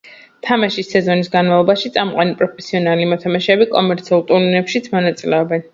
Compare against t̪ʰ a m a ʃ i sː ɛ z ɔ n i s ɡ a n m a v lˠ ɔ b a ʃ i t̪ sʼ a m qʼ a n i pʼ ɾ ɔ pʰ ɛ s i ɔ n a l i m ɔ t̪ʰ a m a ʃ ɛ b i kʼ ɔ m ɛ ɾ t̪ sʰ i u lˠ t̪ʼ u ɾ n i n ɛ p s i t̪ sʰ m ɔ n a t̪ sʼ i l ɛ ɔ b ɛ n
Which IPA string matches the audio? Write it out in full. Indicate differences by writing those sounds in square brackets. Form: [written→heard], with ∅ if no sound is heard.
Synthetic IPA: t̪ʰ a m a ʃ i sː ɛ z ɔ n i s ɡ a n m a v lˠ ɔ b a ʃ i t̪ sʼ a m qʼ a n i pʼ ɾ ɔ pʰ ɛ s i ɔ n a l i m ɔ t̪ʰ a m a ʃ ɛ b i kʼ ɔ m ɛ ɾ t̪ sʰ i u lˠ t̪ʼ u ɾ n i n ɛ p [s→ʃ] i t̪ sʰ m ɔ n a t̪ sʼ i l ɛ ɔ b ɛ n

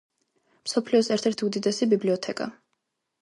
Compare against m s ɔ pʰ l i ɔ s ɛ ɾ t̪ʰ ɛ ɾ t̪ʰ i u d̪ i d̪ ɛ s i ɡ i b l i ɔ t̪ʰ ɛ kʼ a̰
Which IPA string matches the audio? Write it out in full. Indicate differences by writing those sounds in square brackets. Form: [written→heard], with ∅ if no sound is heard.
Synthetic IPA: m s ɔ pʰ l i ɔ s ɛ ɾ t̪ʰ ɛ ɾ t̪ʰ i u d̪ i d̪ ɛ s i [ɡ→b] i b l i ɔ t̪ʰ ɛ kʼ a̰

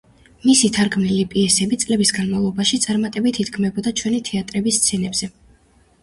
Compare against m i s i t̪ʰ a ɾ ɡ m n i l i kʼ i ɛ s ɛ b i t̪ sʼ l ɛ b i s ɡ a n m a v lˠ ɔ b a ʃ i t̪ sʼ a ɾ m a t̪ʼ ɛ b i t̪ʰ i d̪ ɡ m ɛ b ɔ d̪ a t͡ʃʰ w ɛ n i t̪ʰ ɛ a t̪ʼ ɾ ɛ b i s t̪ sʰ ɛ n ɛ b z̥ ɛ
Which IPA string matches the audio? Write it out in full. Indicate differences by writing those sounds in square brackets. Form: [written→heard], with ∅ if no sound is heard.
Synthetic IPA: m i s i t̪ʰ a ɾ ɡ m n i l i [kʼ→pʼ] i ɛ s ɛ b i t̪ sʼ l ɛ b i s ɡ a n m a v lˠ ɔ b a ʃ i t̪ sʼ a ɾ m a t̪ʼ ɛ b i t̪ʰ i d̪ ɡ m ɛ b ɔ d̪ a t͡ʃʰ w ɛ n i t̪ʰ ɛ a t̪ʼ ɾ ɛ b i s t̪ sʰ ɛ n ɛ b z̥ ɛ

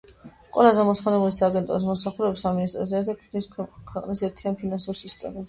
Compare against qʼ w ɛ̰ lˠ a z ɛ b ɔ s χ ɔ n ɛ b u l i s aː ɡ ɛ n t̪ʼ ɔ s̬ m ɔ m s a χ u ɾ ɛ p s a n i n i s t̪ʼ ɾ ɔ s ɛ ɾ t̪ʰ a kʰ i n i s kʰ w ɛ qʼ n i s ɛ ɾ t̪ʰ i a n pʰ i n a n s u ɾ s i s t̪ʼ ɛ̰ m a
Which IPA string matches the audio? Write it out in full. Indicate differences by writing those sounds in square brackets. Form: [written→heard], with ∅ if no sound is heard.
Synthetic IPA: qʼ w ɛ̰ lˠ a z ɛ [b→m] ɔ s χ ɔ n ɛ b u l i s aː ɡ ɛ n t̪ʼ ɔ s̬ m ɔ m s a χ u ɾ ɛ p s a [n→m] i n i s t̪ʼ ɾ ɔ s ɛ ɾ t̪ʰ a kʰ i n i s kʰ w ɛ qʼ n i s ɛ ɾ t̪ʰ i a n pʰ i n a n s u ɾ s i s t̪ʼ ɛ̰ m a

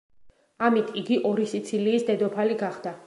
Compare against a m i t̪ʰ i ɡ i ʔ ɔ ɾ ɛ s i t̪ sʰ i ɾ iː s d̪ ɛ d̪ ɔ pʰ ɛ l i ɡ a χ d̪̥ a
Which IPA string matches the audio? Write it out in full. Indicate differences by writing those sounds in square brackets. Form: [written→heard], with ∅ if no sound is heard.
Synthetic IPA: a m i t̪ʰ i ɡ i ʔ ɔ ɾ [ɛ→i] s i t̪ sʰ i [ɾ→l] iː s d̪ ɛ d̪ ɔ pʰ [ɛ→a] l i ɡ a χ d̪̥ a

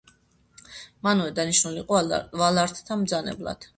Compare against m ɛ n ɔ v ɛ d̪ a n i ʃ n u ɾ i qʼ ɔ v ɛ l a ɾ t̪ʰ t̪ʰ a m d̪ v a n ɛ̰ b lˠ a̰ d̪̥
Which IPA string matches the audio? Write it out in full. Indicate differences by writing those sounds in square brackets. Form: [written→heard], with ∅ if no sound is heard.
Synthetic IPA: m [ɛ→a] n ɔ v ɛ d̪ a n i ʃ n u [ɾ→l] i qʼ ɔ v [ɛ→a] l a ɾ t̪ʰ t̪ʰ a m d̪ [v→z] a n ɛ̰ b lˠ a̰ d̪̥

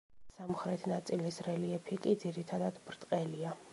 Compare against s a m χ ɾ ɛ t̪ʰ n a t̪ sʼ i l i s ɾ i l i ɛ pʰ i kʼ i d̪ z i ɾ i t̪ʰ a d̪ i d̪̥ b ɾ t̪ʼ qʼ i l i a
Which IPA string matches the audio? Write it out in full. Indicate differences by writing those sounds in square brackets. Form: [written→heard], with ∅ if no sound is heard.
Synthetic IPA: s a m χ ɾ ɛ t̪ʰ n a t̪ sʼ i l i s ɾ [i→ɛ] l i ɛ pʰ i kʼ i d̪ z i ɾ i t̪ʰ a d̪ [i→a] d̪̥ b ɾ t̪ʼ qʼ [i→ɛ] l i a

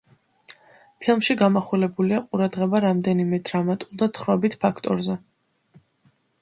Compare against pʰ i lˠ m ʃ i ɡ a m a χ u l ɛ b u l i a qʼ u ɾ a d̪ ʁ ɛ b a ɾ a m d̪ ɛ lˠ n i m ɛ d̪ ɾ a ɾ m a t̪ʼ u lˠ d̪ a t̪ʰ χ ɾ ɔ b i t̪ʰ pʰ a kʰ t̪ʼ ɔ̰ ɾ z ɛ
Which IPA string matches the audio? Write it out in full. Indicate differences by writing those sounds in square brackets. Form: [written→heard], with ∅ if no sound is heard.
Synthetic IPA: pʰ i lˠ m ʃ i ɡ a m a χ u l ɛ b u l i a qʼ u ɾ a d̪ ʁ ɛ b a ɾ a m d̪ ɛ [lˠ→∅] n i m ɛ d̪ ɾ a [ɾ→∅] m a t̪ʼ u lˠ d̪ a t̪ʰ χ ɾ ɔ b i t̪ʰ pʰ a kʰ t̪ʼ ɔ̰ ɾ z ɛ

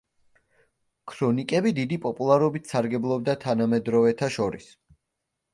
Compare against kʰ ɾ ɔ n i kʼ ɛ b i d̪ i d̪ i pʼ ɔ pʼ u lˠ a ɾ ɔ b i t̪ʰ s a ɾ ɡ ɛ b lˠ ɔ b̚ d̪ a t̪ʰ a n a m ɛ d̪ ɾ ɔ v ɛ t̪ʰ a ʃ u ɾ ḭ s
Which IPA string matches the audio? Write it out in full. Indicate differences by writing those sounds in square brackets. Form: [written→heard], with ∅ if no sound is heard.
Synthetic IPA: kʰ ɾ ɔ n i kʼ ɛ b i d̪ i d̪ i pʼ ɔ pʼ u lˠ a ɾ ɔ b i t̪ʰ s a ɾ ɡ ɛ b lˠ ɔ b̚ d̪ a t̪ʰ a n a m ɛ d̪ ɾ ɔ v ɛ t̪ʰ a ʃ [u→ɔ] ɾ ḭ s

